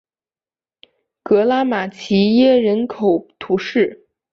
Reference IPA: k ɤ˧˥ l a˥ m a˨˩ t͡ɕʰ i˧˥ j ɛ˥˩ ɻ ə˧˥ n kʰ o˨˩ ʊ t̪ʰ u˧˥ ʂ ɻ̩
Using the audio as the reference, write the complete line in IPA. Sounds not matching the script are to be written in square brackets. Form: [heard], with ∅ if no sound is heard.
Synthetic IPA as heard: k ɤ˧˥ l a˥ m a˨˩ t͡ɕʰ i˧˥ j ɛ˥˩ ɻ ə˧˥ n kʰ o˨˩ ʊ t̪ʰ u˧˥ ʂ ɻ̩